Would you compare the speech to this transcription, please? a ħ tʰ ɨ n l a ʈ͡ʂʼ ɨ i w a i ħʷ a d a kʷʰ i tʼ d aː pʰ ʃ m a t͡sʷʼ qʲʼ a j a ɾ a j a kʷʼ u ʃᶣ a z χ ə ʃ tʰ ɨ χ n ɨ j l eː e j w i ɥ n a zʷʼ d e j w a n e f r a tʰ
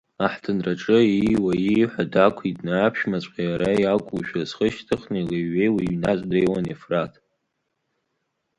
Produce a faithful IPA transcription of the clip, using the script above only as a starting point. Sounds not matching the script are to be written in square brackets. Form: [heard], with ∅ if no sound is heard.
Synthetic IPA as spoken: a ħ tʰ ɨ n [r] a ʈ͡ʂʼ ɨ i w a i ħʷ a d a kʷʰ i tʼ [n] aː pʰ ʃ m a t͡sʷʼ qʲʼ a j a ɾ a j a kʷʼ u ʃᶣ a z χ ə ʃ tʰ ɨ χ n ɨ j l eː e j w i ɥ n a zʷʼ d e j w a n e f r a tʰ